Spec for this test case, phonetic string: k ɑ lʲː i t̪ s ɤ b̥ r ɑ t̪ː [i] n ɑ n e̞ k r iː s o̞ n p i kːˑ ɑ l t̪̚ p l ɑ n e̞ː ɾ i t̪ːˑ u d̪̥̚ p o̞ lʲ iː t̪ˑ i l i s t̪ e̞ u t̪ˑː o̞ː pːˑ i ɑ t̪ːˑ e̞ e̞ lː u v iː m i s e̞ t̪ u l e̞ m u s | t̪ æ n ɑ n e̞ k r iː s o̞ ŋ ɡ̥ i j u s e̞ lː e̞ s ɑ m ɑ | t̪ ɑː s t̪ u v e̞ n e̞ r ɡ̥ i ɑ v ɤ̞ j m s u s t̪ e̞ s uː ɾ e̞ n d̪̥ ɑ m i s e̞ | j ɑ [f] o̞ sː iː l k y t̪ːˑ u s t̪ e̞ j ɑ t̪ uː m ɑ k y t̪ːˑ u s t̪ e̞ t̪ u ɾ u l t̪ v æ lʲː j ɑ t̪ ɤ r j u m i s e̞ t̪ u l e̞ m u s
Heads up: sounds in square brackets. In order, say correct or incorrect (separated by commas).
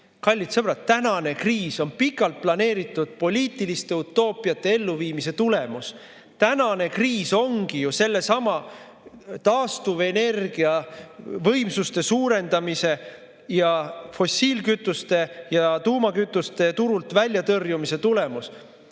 incorrect, correct